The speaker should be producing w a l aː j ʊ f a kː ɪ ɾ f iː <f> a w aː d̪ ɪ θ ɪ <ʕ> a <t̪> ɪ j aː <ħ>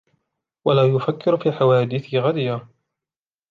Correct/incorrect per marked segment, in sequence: incorrect: ħ, incorrect: ɣ, incorrect: d̪, incorrect: none

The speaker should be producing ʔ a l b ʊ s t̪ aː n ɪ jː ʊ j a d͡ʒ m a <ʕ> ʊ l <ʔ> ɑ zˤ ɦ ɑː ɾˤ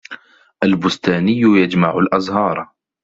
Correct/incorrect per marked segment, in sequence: correct, correct

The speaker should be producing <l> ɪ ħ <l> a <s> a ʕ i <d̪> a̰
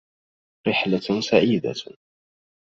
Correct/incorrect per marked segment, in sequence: incorrect: ɾ, correct, correct, correct

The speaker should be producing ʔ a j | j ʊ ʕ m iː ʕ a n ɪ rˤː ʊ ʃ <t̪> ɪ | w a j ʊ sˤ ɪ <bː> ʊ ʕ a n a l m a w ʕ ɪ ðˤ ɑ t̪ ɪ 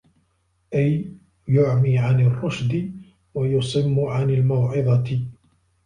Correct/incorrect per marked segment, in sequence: incorrect: d̪, incorrect: mː

